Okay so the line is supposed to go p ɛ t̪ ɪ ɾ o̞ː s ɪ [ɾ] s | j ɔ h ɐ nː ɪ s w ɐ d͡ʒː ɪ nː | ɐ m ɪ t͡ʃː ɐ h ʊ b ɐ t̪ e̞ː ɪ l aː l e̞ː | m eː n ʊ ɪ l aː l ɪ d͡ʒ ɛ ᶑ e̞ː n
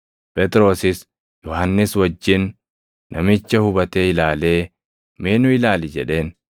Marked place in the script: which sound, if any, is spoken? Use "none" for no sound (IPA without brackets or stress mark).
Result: none